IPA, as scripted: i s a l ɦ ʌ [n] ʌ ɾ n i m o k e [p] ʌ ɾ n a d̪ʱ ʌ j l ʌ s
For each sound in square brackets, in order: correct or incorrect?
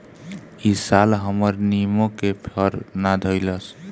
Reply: incorrect: m, incorrect: pʰ

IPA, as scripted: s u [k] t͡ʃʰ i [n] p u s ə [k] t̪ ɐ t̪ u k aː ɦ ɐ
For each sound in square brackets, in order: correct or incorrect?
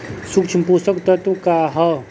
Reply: correct, incorrect: m, correct

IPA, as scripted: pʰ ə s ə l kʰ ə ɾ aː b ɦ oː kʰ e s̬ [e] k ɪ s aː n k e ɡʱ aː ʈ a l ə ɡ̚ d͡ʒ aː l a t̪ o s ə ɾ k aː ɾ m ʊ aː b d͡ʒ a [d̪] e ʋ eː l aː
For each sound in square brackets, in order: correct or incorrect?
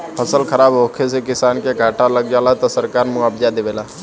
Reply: correct, correct

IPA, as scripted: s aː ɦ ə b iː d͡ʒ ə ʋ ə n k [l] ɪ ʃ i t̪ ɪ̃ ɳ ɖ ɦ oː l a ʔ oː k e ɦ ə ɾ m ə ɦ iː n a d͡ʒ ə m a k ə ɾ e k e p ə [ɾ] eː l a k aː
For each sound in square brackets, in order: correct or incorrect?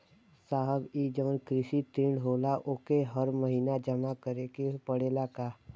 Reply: incorrect: ɾ, incorrect: ɽ

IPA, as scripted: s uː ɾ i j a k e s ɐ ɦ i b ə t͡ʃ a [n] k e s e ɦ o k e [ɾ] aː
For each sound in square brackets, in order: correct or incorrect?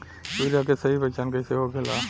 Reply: correct, incorrect: l

